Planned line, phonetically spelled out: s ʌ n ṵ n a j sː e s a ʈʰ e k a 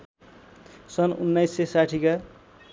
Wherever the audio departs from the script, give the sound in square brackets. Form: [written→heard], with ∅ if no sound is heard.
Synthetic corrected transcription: s ʌ n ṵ [n→nː] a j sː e s a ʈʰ [e→i] k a